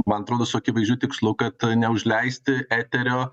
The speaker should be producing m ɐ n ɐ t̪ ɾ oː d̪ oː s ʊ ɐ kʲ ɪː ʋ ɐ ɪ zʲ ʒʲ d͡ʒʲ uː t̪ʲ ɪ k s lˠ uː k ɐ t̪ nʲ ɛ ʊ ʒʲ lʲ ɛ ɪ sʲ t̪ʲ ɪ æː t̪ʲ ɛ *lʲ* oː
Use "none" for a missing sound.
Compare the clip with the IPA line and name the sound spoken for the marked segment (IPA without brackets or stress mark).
ɾʲ